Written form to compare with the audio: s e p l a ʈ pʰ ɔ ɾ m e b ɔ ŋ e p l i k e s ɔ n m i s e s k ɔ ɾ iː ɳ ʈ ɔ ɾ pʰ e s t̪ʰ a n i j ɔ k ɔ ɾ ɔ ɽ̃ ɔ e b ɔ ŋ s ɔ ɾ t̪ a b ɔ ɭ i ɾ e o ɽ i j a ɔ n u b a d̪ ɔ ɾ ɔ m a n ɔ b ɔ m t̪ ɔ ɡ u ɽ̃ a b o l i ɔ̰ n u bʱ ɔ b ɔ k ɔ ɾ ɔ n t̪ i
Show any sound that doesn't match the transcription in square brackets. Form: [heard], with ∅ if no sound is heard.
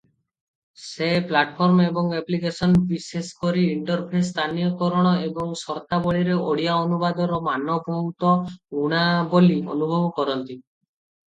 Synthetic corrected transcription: s e p l a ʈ pʰ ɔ ɾ m e b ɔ ŋ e p l i k e s ɔ n [b] i s e s k ɔ ɾ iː ɳ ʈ ɔ ɾ pʰ e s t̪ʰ a n i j ɔ k ɔ ɾ ɔ ɽ̃ ɔ e b ɔ ŋ s ɔ ɾ t̪ a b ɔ ɭ i ɾ e o ɽ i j a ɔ n u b a d̪ ɔ ɾ ɔ m a n ɔ b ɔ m t̪ ɔ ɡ u ɽ̃ a b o l i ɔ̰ n u bʱ ɔ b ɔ k ɔ ɾ ɔ n t̪ i